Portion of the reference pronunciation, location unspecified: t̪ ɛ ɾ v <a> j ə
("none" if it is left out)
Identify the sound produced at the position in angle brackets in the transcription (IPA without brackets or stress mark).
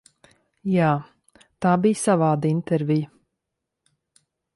i